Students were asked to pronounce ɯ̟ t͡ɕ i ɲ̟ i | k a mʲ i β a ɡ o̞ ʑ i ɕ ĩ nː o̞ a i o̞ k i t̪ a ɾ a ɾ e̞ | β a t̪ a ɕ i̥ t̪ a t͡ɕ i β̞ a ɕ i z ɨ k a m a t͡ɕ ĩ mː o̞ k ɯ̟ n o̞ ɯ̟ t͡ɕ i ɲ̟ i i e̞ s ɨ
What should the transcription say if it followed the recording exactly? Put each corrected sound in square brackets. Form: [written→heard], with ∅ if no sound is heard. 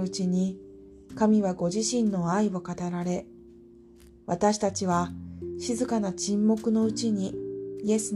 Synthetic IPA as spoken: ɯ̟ t͡ɕ i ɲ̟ i | k a mʲ i β a ɡ o̞ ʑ i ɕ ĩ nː o̞ a i o̞ k [i→a] t̪ a ɾ a ɾ e̞ | β a t̪ a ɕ i̥ t̪ a t͡ɕ i β̞ a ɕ i z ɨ k a [m→n] a t͡ɕ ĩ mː o̞ k ɯ̟ n o̞ ɯ̟ t͡ɕ i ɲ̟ i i e̞ s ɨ